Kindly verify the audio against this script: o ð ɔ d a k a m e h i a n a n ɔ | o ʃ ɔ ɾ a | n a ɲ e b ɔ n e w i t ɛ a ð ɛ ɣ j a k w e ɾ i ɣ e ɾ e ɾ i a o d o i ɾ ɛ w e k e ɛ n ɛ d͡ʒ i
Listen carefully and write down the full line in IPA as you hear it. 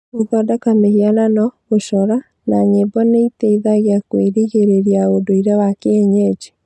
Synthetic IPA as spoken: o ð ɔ d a k a m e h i a n a n ɔ | o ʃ ɔ ɾ a | n a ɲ e b ɔ n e i t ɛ i ð a ɣ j a k w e ɾ i ɣ e ɾ e ɾ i a o d o i ɾ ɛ w a k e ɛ ɲ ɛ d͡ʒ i